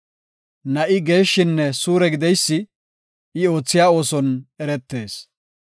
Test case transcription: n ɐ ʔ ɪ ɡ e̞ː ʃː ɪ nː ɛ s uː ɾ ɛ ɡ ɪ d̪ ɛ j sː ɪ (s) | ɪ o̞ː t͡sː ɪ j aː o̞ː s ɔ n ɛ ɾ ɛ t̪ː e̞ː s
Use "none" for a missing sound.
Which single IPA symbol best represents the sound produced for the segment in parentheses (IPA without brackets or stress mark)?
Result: none